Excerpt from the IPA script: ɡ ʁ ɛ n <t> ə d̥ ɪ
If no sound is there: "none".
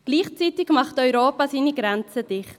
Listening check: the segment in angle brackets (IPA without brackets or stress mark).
t͡s